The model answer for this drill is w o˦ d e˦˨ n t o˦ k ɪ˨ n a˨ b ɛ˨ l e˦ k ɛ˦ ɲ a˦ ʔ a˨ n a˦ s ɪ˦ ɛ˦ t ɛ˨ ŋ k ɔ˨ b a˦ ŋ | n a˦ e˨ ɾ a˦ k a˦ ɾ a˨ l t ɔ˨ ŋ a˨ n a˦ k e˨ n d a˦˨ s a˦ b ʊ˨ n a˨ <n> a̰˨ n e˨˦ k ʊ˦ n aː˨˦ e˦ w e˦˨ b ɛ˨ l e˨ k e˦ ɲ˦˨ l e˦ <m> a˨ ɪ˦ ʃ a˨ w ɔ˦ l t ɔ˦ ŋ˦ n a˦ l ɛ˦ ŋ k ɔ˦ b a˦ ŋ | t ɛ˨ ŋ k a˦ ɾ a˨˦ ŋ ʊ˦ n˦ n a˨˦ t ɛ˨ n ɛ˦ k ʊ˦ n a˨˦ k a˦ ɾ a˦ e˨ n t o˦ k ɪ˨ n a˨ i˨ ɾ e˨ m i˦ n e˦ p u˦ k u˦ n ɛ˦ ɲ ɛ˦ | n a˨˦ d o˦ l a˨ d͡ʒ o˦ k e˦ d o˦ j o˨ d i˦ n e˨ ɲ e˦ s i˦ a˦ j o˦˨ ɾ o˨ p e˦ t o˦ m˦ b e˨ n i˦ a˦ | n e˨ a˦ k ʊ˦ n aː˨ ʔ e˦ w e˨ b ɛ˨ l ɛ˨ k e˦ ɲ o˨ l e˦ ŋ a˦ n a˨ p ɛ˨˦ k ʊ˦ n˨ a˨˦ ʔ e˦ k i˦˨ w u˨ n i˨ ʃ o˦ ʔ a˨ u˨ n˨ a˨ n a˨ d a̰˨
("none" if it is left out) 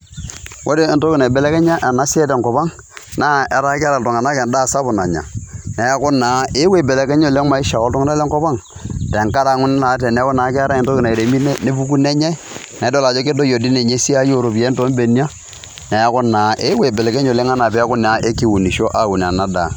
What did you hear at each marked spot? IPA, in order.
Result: ɲ, m

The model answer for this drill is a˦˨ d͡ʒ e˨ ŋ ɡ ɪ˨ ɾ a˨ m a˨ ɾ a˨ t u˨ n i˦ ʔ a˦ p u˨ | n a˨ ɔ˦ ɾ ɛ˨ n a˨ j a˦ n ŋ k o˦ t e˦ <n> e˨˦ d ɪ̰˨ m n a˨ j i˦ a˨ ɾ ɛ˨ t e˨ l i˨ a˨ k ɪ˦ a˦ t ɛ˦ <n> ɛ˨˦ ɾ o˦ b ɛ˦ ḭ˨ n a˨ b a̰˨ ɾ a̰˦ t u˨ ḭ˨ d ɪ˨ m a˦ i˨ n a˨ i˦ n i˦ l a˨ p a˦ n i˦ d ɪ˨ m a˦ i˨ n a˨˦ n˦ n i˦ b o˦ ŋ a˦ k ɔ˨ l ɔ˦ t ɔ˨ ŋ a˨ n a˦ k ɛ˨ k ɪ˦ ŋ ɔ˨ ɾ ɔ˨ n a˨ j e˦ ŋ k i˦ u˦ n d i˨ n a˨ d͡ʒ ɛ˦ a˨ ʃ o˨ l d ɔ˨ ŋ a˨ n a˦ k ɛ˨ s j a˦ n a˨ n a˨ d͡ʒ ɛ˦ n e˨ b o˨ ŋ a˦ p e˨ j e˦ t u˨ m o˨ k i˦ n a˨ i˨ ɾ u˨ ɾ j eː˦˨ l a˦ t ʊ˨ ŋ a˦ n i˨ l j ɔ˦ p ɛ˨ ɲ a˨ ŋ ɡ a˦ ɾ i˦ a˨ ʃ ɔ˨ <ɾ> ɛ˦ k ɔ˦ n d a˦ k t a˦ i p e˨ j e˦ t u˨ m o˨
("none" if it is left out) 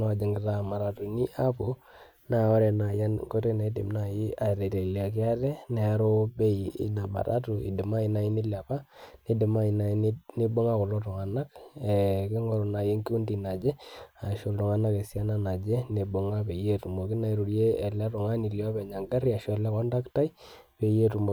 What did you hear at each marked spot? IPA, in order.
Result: n, n, l

